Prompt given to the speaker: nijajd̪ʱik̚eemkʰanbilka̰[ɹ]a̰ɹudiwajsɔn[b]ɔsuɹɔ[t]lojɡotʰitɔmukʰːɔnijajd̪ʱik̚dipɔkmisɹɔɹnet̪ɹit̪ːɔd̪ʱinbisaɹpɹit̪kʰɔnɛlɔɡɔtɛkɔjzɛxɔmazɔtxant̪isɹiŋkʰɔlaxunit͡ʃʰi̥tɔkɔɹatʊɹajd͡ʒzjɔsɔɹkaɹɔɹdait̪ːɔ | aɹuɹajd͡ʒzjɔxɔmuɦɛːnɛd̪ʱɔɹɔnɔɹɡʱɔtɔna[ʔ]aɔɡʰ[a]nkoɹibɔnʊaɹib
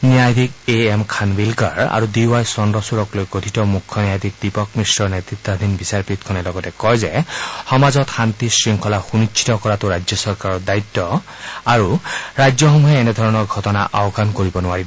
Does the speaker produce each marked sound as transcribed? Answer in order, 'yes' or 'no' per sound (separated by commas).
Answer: yes, no, no, yes, yes